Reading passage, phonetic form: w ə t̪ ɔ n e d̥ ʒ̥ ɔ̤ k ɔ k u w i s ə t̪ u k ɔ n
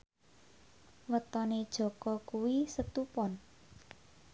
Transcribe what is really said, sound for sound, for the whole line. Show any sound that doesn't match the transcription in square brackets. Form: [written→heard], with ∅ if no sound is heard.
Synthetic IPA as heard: w ə t̪ ɔ n e d̥ ʒ̥ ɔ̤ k ɔ k u w i s ə t̪ u [k→p] ɔ n